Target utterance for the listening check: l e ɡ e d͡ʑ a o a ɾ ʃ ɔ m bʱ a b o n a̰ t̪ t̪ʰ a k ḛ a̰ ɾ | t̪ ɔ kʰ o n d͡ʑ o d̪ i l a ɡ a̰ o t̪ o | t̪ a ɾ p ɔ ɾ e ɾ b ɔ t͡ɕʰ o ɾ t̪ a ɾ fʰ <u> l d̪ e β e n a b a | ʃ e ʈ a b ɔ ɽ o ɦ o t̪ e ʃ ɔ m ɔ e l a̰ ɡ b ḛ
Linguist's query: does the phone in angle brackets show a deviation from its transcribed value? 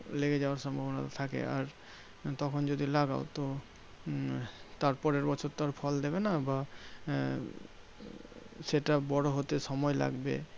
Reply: yes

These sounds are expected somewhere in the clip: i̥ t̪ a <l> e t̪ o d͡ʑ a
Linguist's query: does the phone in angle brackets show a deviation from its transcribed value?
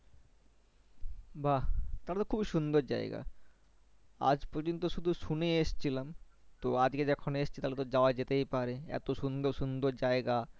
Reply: no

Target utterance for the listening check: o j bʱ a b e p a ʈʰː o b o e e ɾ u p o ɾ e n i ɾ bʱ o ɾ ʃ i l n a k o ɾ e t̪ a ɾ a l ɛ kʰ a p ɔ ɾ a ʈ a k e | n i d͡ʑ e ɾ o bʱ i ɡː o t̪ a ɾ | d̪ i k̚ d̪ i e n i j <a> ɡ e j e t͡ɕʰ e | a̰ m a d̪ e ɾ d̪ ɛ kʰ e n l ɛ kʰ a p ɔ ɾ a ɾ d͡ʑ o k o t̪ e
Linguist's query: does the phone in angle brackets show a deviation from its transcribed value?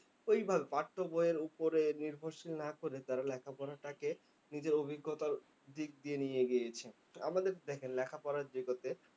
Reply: yes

